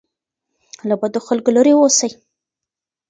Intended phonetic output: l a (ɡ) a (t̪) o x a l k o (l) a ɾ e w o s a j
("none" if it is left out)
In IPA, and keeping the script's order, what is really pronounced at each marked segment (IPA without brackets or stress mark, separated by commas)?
b, d̪, l